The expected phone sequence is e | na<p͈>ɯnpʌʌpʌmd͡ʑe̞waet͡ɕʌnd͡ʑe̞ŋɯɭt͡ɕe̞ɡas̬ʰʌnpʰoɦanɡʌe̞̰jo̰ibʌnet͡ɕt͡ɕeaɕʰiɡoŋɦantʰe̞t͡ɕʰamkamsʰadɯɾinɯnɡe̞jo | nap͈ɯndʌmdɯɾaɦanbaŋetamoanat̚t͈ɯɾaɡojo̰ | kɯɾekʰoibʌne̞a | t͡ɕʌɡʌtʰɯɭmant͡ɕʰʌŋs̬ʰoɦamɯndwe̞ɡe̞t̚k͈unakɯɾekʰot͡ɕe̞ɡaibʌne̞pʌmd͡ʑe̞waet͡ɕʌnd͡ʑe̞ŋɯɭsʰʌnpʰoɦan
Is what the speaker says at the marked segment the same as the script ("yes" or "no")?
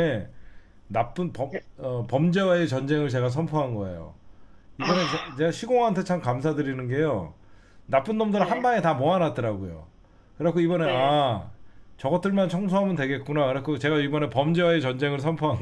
yes